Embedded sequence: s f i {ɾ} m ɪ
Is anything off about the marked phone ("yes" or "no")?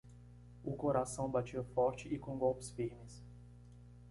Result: no